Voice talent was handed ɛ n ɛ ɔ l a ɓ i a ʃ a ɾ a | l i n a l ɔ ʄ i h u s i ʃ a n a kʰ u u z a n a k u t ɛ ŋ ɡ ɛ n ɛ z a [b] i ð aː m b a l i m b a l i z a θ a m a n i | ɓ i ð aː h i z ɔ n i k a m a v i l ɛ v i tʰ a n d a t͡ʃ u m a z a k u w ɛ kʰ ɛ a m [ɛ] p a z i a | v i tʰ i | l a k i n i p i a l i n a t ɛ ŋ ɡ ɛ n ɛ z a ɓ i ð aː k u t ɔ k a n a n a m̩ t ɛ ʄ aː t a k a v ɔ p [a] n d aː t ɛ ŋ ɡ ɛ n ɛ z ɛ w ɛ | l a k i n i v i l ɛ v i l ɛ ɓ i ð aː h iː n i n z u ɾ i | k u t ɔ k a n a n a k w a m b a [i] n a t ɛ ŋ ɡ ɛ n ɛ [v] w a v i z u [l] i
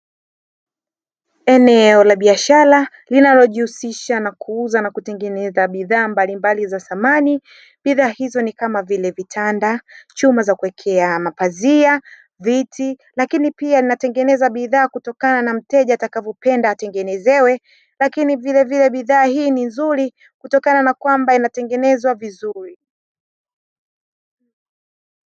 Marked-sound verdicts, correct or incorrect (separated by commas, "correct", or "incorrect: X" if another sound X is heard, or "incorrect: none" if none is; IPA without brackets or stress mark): incorrect: ɓ, incorrect: a, incorrect: ɛ, correct, incorrect: z, incorrect: ɾ